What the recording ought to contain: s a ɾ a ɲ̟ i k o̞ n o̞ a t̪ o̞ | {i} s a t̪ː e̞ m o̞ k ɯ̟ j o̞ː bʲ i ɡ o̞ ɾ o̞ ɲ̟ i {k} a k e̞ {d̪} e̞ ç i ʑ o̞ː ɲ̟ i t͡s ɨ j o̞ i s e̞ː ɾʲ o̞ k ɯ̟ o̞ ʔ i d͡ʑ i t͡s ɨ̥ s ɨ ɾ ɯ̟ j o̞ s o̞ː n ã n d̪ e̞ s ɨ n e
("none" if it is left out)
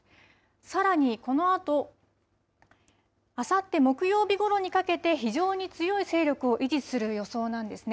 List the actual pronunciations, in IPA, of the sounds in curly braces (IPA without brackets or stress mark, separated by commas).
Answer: a, k, t̪